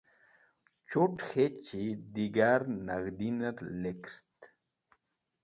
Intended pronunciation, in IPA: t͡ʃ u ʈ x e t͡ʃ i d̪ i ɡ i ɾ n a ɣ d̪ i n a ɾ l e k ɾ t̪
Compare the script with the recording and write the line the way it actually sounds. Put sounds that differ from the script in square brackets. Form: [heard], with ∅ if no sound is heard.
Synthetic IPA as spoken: t͡ʃ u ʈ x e t͡ʃ i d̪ i ɡ [a] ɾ n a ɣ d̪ i n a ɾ l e k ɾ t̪

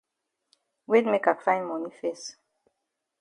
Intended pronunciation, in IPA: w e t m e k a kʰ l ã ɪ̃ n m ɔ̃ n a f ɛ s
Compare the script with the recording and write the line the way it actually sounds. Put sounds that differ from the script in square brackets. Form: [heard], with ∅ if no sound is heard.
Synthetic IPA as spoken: w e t m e k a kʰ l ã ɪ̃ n m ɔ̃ n [i] f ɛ s

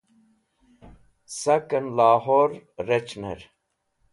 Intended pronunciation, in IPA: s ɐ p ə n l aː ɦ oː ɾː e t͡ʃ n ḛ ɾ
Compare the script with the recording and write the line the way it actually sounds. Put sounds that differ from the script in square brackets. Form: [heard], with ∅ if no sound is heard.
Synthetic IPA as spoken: s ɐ [k] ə n l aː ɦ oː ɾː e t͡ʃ n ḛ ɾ

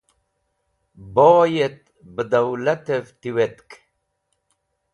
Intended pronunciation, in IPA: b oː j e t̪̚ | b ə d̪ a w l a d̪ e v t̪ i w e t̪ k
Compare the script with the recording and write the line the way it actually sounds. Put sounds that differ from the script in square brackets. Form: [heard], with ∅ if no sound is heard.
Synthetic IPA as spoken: b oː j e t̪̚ | b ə d̪ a w l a [t̪] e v t̪ i w e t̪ k

